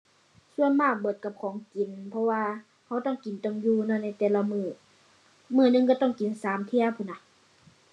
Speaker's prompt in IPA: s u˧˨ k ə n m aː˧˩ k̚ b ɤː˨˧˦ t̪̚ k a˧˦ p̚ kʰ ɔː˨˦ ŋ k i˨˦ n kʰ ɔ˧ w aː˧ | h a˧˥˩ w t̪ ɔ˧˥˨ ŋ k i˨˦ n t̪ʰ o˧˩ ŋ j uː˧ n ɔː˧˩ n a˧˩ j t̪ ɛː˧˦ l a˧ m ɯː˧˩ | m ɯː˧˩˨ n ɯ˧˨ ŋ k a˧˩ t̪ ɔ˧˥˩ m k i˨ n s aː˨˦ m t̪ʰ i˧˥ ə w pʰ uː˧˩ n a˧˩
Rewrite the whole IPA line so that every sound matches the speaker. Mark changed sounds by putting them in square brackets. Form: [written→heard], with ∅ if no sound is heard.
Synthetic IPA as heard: s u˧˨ [k→∅] ə n m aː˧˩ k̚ b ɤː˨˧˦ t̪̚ k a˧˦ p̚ kʰ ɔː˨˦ ŋ k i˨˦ n [kʰ→pʰ] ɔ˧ w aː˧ | h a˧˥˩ w t̪ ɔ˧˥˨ ŋ k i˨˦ n [t̪ʰ→t̪] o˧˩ ŋ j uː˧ n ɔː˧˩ n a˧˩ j t̪ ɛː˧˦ l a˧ m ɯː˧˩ | m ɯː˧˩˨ n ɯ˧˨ ŋ k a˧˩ t̪ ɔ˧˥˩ [m→ŋ] k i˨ n s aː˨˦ m t̪ʰ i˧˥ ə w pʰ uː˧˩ n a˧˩